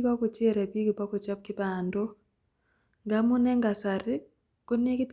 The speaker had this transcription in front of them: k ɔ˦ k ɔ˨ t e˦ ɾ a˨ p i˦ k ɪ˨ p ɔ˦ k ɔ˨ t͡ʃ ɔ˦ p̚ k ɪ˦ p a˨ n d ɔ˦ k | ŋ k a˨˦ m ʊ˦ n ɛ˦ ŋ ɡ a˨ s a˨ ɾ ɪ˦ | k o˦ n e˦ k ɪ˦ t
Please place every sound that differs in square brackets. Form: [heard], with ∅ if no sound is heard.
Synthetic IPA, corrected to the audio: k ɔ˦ k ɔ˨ [t͡ʃ] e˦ ɾ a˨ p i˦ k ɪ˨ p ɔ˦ k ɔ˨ t͡ʃ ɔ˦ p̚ k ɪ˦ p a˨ n d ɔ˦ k | ŋ [ɡ] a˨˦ m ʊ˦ n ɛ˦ ŋ ɡ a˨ s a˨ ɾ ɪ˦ | k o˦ n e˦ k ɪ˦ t